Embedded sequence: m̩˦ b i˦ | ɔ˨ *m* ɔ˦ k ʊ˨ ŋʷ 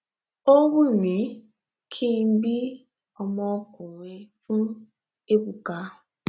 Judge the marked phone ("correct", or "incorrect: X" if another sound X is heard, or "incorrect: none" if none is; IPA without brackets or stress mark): correct